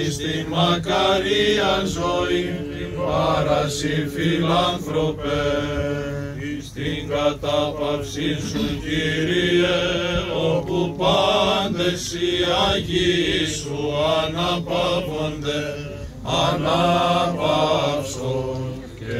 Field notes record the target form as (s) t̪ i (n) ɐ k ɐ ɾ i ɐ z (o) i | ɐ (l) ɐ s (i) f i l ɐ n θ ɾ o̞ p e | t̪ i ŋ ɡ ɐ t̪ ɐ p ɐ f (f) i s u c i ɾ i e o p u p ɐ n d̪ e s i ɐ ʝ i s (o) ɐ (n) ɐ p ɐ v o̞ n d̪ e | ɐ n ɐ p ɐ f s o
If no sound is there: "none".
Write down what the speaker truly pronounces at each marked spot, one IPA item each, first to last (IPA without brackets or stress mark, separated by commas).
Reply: s, m, o, ɾ, i, s, u, n